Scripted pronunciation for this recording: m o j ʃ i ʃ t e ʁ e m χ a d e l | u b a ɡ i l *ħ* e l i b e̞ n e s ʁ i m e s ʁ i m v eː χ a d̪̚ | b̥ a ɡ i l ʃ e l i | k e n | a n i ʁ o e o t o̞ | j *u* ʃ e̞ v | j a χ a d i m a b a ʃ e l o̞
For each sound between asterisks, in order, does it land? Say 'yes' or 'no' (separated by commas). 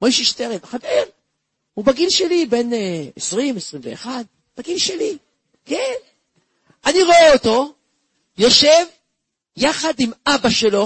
no, no